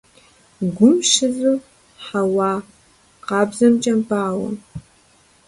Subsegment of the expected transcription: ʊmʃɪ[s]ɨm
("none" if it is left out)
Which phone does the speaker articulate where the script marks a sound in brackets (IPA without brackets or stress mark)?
z